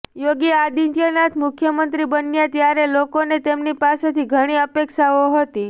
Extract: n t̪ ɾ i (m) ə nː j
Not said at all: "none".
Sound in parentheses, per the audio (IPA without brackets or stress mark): b